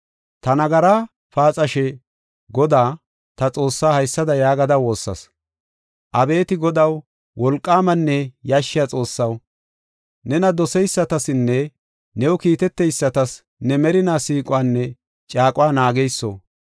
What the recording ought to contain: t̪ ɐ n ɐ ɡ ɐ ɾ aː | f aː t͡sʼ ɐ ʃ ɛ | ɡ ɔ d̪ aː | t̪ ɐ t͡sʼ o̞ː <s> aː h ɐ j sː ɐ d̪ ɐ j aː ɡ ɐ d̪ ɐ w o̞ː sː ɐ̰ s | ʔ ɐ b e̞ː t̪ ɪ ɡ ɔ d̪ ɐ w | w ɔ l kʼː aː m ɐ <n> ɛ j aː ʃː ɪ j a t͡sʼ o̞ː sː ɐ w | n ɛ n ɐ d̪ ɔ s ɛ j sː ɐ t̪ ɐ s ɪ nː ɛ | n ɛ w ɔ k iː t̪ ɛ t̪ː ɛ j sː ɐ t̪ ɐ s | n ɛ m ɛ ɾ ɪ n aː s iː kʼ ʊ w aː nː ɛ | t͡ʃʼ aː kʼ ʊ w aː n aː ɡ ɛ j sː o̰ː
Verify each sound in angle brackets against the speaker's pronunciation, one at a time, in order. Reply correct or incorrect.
incorrect: sː, incorrect: nː

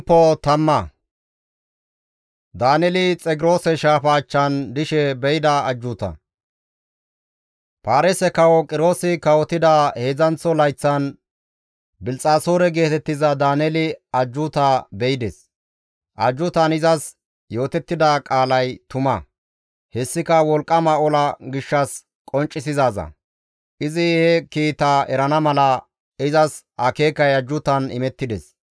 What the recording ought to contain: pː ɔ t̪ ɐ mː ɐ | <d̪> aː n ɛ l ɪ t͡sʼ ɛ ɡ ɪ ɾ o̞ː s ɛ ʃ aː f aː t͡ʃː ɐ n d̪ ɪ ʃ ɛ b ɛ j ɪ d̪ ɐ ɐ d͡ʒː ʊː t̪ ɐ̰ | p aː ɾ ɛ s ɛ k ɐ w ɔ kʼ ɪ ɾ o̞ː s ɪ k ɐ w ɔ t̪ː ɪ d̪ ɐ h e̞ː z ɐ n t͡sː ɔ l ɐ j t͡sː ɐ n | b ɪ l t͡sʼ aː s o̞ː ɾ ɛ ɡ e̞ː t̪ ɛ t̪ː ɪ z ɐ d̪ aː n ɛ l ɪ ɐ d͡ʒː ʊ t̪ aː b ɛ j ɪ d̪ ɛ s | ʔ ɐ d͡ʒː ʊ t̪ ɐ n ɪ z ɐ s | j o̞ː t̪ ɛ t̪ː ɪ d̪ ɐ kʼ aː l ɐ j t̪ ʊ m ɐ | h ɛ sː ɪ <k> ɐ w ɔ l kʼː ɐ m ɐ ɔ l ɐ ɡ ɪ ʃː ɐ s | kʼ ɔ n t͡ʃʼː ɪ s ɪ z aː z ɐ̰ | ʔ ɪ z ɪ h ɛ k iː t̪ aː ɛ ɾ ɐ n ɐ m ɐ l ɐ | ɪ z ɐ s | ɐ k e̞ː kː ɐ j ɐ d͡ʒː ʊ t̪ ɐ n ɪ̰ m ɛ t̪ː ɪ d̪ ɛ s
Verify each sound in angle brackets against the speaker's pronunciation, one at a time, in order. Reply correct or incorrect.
correct, correct

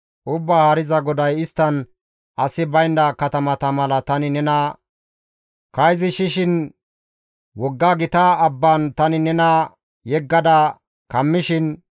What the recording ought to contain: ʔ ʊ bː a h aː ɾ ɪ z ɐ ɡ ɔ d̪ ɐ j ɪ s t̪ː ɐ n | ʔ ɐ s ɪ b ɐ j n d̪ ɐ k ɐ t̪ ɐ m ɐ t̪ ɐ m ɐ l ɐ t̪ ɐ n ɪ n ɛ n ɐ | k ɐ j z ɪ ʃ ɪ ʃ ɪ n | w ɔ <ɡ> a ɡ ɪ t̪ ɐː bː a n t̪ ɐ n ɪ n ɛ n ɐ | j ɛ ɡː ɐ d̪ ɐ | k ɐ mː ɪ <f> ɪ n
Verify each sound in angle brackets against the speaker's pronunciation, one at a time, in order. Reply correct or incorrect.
incorrect: ɡː, incorrect: ʃ

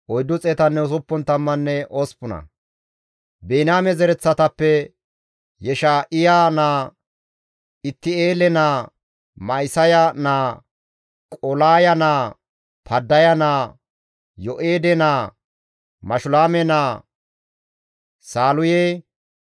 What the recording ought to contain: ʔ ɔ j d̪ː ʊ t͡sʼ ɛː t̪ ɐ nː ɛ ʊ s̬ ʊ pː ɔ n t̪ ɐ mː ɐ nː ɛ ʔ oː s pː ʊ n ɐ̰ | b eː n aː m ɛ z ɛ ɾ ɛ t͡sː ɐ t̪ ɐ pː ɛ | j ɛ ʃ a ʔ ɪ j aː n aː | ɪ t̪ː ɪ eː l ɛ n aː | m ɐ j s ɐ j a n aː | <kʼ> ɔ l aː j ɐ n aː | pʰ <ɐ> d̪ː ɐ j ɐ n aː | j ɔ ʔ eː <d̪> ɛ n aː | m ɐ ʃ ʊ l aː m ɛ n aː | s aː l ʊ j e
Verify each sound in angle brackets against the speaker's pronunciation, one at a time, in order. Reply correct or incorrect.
correct, correct, correct

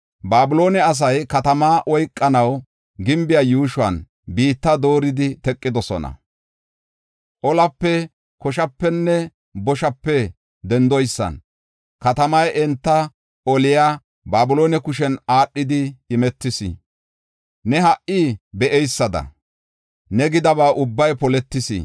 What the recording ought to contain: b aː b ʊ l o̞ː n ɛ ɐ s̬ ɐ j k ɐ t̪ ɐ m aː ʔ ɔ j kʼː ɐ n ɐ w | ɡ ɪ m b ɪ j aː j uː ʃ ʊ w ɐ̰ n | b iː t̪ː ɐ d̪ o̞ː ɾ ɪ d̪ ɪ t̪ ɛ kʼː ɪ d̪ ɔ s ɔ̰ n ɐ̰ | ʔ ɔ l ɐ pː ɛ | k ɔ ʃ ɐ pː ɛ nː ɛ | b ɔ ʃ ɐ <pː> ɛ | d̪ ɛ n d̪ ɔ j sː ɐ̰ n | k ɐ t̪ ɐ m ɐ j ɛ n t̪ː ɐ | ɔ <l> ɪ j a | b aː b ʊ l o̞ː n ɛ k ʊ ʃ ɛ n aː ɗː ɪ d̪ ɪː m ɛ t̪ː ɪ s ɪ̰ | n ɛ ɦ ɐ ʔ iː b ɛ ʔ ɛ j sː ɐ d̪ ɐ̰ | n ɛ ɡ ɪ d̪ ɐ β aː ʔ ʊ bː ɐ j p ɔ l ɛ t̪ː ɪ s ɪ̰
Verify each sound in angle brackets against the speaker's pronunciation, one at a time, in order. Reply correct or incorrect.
correct, correct

